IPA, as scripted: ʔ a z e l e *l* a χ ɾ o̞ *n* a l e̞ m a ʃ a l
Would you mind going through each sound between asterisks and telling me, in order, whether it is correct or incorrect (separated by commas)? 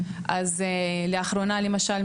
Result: incorrect, correct